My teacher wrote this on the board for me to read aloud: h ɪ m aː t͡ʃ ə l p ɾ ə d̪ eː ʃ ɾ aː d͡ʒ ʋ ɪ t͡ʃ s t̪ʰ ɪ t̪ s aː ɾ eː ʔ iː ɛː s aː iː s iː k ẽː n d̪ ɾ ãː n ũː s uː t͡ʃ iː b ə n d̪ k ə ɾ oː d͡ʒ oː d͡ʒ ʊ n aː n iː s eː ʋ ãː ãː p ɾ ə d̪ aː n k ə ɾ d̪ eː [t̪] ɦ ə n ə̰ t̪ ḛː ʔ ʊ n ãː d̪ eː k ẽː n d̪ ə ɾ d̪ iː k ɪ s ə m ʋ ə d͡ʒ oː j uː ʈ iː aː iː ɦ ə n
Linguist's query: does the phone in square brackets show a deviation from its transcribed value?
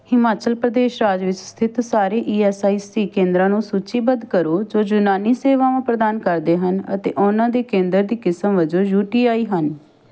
yes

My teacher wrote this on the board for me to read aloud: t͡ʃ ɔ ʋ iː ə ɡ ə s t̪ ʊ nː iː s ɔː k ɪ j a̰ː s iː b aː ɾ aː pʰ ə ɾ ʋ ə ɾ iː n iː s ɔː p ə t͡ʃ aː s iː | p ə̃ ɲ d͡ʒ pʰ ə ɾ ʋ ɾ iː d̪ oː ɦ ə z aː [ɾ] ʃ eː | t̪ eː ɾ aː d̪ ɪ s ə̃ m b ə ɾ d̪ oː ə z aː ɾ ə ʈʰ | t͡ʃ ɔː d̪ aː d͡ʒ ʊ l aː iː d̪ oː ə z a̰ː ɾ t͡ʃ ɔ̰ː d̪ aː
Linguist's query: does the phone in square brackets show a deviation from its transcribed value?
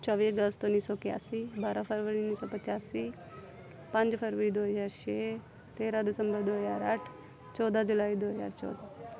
no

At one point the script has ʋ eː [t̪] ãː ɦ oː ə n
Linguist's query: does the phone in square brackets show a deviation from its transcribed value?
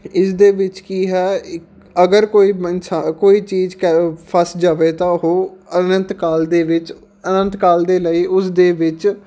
no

